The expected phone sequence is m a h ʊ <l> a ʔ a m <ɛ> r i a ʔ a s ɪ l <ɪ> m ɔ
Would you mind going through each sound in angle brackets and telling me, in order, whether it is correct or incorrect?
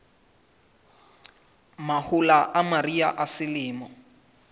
correct, incorrect: a, incorrect: ɪː

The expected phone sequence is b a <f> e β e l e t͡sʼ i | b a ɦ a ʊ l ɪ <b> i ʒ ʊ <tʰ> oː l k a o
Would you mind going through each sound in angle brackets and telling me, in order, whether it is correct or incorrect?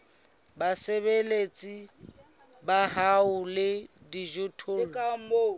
incorrect: s, incorrect: d, correct

